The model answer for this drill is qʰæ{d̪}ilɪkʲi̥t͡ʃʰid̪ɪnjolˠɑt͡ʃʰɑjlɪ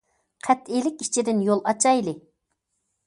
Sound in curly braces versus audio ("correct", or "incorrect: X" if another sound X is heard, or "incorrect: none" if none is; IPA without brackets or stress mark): incorrect: t̪